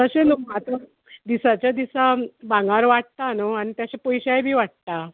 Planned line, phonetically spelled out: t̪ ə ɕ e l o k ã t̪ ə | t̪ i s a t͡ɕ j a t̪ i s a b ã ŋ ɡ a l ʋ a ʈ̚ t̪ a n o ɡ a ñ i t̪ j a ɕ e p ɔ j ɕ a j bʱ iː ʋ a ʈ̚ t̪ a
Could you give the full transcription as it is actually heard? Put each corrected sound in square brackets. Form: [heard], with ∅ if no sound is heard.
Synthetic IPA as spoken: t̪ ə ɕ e l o k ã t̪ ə | [d̪] i s a t͡ɕ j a [d̪] i s a b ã ŋ ɡ a [ɾ] ʋ a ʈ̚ t̪ a n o [∅] a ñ i t̪ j a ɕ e p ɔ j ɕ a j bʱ iː ʋ a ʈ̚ t̪ a